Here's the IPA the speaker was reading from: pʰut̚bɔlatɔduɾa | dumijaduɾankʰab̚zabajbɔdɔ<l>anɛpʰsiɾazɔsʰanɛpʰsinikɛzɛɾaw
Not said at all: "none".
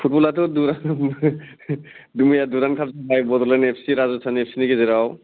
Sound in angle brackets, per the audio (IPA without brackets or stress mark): l